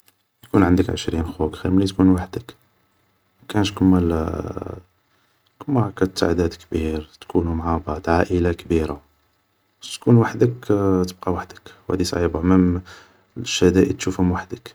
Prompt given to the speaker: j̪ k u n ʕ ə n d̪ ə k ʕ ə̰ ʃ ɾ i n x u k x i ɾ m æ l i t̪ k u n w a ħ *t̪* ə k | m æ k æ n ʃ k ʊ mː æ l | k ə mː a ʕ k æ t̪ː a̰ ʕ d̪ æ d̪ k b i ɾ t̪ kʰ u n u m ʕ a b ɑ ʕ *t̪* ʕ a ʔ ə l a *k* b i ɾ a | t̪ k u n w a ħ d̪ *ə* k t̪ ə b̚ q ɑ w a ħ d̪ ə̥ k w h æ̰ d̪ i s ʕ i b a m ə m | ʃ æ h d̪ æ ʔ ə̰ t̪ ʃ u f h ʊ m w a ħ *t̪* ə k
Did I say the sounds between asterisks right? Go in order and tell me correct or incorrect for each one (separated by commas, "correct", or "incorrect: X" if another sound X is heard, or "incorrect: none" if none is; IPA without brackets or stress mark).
incorrect: d̪, incorrect: d̪, correct, correct, incorrect: d̪